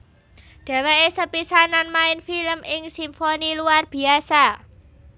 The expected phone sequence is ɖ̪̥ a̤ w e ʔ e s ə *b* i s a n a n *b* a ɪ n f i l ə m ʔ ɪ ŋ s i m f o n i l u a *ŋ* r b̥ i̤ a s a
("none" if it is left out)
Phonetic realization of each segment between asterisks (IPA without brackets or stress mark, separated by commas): p, m, none